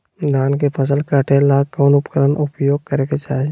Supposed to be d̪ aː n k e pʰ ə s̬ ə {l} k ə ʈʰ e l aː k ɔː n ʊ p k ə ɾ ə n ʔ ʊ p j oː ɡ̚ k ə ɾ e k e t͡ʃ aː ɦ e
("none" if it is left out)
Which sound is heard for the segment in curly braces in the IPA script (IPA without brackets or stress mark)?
l